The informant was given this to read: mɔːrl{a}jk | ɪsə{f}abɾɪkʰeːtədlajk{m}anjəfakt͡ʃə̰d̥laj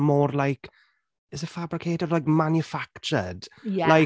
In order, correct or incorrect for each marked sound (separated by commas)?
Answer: correct, correct, correct